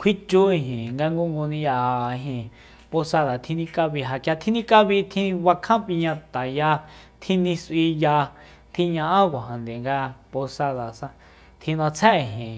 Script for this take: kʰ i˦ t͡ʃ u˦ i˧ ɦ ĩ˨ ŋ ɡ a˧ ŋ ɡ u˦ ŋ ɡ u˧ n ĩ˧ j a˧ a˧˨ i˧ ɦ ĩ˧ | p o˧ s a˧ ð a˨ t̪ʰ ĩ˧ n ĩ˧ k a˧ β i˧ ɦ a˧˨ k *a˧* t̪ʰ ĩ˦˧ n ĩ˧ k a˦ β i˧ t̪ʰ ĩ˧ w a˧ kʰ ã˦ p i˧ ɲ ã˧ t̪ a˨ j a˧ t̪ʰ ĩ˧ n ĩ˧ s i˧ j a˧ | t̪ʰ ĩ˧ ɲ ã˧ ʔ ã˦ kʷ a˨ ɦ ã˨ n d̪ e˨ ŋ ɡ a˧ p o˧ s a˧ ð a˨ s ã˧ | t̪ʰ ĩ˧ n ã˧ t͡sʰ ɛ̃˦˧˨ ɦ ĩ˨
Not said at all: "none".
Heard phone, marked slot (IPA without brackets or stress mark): a˧